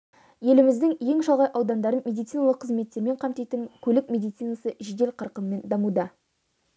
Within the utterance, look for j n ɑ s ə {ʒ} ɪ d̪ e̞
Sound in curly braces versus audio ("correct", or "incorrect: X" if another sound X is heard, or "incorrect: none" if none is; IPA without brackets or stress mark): correct